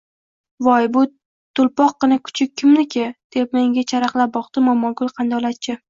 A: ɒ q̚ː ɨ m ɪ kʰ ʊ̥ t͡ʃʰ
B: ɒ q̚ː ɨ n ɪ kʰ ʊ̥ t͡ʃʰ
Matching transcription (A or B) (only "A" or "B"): B